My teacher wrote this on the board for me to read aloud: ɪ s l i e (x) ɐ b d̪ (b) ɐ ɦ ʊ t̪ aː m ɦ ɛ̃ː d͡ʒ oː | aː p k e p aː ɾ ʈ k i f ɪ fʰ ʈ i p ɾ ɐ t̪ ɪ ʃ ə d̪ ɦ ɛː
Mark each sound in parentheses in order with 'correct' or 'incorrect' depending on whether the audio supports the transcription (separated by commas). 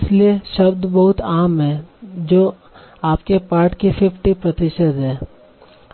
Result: incorrect, correct